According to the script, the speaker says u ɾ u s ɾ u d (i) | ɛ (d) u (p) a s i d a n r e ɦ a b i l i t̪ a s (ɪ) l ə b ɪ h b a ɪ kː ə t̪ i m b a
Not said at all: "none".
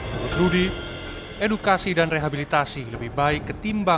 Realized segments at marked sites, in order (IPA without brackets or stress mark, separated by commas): i, d, k, i